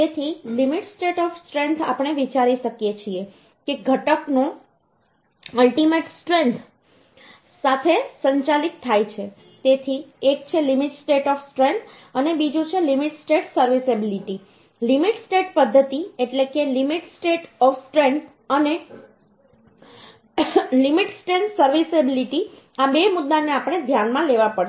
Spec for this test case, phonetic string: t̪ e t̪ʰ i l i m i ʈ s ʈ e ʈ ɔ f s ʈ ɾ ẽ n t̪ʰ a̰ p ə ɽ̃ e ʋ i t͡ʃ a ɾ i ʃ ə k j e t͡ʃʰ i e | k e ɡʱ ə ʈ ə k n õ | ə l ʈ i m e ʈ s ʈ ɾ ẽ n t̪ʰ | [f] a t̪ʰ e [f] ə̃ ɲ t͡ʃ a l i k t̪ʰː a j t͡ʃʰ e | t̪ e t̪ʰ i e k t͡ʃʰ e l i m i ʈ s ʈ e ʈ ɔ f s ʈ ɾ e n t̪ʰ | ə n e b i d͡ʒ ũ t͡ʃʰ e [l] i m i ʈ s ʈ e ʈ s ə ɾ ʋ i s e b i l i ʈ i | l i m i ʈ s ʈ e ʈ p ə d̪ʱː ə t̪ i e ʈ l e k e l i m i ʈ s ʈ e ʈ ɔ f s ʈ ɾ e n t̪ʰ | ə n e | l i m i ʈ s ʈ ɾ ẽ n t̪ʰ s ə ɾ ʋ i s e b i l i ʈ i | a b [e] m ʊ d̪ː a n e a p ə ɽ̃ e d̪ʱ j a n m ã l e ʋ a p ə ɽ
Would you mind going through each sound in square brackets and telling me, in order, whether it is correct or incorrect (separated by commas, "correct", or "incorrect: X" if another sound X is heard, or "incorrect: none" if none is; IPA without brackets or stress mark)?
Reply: incorrect: s, incorrect: s, correct, correct